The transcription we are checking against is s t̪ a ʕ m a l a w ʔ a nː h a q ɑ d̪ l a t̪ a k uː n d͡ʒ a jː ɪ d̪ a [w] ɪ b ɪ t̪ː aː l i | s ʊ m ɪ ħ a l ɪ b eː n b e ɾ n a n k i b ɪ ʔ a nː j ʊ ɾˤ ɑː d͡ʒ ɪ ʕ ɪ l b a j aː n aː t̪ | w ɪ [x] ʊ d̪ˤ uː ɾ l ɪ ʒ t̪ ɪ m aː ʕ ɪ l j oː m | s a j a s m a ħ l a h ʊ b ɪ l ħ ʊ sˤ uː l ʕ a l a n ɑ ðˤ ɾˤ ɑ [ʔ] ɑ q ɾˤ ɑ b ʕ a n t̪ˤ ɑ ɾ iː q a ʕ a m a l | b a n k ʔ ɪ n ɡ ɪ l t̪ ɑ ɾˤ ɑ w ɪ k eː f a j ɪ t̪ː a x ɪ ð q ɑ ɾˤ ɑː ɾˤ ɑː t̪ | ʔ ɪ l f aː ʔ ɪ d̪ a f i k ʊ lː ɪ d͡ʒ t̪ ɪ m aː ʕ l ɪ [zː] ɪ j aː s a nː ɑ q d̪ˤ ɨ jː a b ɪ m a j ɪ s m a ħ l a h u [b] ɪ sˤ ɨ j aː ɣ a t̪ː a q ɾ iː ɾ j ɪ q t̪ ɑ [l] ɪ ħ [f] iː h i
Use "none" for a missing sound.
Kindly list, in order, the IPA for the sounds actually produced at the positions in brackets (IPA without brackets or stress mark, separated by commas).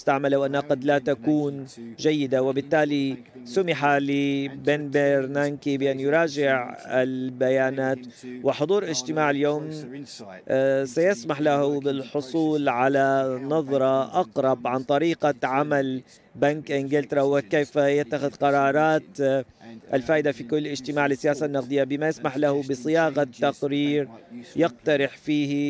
w, ħ, ʔ, sː, b, ɾ, f